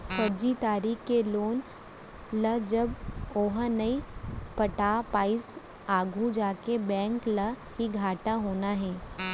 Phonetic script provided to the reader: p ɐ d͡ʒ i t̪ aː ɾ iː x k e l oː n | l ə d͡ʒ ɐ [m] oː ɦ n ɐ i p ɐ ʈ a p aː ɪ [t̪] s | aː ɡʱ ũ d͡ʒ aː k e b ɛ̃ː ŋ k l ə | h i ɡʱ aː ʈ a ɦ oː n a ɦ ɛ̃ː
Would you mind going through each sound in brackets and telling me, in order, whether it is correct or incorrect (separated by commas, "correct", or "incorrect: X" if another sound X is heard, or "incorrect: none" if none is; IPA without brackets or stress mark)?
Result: incorrect: b, incorrect: none